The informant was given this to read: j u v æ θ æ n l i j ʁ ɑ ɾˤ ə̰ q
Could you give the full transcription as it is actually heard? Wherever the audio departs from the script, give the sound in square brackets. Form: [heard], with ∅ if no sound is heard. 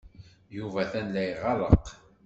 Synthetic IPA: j u v æ θ æ n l [æ] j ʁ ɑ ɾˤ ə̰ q